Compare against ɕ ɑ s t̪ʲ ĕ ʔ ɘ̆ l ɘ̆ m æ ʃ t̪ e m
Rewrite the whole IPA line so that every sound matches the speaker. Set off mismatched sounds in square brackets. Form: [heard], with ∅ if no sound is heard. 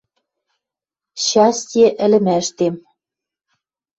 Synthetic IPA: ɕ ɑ s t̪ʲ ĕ ʔ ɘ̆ l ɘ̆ m æ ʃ t̪ e m